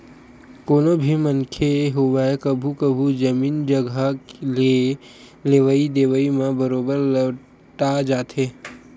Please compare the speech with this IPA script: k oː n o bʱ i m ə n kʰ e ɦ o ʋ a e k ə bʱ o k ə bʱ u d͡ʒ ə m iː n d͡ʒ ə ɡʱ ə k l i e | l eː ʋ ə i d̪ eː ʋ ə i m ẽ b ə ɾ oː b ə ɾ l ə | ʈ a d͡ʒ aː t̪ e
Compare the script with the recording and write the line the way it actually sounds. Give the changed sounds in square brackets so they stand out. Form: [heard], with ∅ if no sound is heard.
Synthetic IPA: k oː n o bʱ i m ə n kʰ e ɦ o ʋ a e k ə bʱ [u] k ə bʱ u d͡ʒ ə m iː n d͡ʒ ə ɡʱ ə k l i e | l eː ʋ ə i d̪ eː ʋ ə i m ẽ b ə ɾ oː b ə ɾ l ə | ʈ a d͡ʒ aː t̪ e

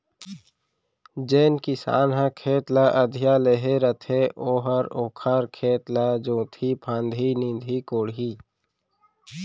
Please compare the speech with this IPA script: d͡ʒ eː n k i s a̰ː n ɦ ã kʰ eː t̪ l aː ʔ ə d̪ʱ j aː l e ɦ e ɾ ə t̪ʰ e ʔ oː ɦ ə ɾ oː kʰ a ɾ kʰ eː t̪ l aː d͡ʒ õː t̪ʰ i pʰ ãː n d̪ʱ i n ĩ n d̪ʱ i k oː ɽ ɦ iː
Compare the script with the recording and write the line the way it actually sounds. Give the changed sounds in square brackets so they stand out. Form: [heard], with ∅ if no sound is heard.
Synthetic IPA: d͡ʒ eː n k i s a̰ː n ɦ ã kʰ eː t̪ l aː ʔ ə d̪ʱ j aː l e ɦ e ɾ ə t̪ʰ e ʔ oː ɦ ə ɾ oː kʰ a ɾ kʰ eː t̪ l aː d͡ʒ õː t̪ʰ i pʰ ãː n d̪ʱ i n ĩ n d̪ʱ i k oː ɽ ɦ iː

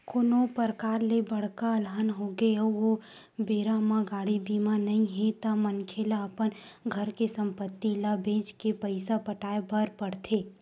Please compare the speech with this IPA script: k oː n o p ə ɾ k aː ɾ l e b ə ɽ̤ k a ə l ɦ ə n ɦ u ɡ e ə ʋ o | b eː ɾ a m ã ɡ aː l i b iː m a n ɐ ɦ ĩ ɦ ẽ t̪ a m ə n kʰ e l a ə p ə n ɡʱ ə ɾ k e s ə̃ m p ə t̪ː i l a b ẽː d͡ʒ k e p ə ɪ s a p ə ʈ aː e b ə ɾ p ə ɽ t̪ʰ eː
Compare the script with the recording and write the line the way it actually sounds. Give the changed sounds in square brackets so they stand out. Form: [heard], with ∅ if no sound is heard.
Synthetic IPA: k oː n o p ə ɾ k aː ɾ l e b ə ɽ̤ k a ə l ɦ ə n ɦ [o] ɡ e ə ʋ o | b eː ɾ a m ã ɡ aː [ɽ] i b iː m a n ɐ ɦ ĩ ɦ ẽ t̪ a m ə n kʰ e l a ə p ə n ɡʱ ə ɾ k e s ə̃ m p ə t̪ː i l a b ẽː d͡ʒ k e p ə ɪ s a p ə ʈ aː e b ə ɾ p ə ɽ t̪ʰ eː

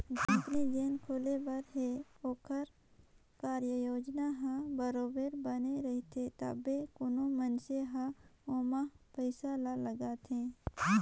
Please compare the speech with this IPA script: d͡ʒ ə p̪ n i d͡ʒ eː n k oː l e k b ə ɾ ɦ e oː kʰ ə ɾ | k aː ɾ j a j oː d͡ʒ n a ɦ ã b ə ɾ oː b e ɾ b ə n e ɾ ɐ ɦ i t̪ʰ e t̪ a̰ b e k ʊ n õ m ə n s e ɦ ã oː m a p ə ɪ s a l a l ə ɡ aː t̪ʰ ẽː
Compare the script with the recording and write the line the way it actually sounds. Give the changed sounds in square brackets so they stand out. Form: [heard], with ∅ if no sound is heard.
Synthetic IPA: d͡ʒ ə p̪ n i d͡ʒ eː n [kʰ] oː l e [∅] b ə ɾ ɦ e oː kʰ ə ɾ | k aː ɾ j [ə] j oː d͡ʒ n a ɦ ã b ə ɾ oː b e ɾ b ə n e ɾ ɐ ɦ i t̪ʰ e t̪ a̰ b e k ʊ n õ m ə n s e ɦ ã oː m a p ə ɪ s a l a l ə ɡ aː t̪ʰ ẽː

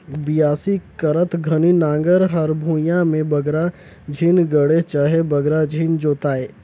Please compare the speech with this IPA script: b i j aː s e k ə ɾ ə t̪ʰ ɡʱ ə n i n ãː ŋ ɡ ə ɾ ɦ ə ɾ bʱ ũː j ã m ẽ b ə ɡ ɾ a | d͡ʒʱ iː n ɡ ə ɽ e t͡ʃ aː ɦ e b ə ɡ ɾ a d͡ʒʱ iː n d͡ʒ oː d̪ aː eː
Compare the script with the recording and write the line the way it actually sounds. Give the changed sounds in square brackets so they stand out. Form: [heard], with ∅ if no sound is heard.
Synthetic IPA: b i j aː s [i] k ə ɾ ə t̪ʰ ɡʱ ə n i n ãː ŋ ɡ ə ɾ ɦ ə ɾ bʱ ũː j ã m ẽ b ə ɡ ɾ a | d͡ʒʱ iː n ɡ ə ɽ e t͡ʃ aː ɦ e b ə ɡ ɾ a d͡ʒʱ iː n d͡ʒ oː [t̪] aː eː

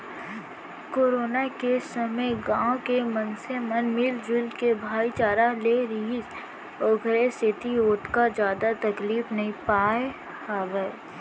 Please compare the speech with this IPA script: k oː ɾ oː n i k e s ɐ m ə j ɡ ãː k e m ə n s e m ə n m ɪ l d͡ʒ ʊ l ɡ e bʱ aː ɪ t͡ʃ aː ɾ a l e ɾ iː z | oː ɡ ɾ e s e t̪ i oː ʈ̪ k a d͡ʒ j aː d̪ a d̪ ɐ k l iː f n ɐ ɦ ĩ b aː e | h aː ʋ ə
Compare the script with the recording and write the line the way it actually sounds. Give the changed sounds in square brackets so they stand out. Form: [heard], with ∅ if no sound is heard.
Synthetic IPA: k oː ɾ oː n [a] k e s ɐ m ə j ɡ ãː k e m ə n s e m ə n m ɪ l d͡ʒ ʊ l [k] e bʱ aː [i] t͡ʃ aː ɾ a l e ɾ iː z | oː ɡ ɾ e s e t̪ i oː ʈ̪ k a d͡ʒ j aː d̪ a [t̪] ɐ k l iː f n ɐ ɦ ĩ [p] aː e | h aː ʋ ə

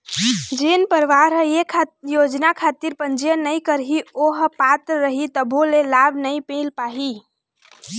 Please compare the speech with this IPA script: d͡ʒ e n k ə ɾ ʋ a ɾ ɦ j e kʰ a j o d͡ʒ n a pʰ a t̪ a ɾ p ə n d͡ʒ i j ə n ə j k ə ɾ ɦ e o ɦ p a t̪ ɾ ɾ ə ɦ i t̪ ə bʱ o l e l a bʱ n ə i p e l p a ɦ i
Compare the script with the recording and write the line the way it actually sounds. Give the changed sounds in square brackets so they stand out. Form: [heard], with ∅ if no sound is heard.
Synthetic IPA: d͡ʒ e n [p] ə ɾ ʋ a ɾ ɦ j e kʰ a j o d͡ʒ n a [kʰ] a t̪ [i] ɾ p ə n d͡ʒ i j ə n ə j k ə ɾ ɦ [i] o ɦ p a t̪ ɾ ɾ ə ɦ i t̪ ə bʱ o l e l a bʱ n ə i p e l p a ɦ i

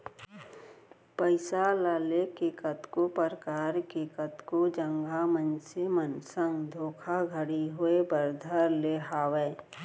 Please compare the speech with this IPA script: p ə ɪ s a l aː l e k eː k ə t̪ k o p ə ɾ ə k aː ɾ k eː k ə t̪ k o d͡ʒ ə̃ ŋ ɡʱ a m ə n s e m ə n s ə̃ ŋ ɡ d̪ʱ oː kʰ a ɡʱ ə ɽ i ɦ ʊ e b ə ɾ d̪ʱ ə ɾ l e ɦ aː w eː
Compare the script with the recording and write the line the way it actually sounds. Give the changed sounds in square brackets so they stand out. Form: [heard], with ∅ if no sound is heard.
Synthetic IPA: p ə ɪ s a l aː l e k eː k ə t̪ k o p ə ɾ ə k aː ɾ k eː k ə t̪ k o d͡ʒ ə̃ ŋ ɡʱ a m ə n s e m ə n s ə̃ ŋ ɡ d̪ʱ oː kʰ a ɡʱ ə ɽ i ɦ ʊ e b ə ɾ d̪ʱ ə ɾ l e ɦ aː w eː

